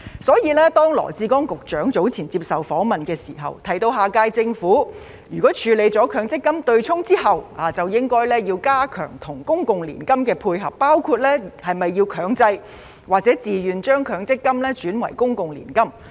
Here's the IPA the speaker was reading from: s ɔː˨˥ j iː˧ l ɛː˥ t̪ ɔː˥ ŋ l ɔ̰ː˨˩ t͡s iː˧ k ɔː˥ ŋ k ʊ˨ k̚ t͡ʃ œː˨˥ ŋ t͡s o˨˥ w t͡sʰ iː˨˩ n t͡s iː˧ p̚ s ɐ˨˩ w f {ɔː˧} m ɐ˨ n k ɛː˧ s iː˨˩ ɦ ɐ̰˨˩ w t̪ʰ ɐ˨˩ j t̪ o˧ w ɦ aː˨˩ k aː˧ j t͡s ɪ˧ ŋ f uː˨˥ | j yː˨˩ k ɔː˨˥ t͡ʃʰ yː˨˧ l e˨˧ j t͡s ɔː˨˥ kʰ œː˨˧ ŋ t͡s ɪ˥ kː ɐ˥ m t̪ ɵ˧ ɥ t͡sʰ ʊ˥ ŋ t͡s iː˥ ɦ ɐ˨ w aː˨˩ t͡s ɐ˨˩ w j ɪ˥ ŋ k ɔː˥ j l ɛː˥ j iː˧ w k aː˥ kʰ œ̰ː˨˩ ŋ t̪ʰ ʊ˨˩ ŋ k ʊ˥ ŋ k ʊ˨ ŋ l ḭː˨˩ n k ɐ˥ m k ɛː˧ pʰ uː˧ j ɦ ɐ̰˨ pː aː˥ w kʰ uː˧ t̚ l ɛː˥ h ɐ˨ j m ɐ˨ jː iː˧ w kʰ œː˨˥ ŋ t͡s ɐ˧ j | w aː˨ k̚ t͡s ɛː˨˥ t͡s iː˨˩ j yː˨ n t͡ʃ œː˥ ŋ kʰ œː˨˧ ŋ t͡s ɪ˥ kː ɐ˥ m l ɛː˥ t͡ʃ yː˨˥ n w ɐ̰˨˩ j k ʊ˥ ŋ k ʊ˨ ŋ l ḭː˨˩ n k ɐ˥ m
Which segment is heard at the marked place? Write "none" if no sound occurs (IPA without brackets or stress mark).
ɔː˨˥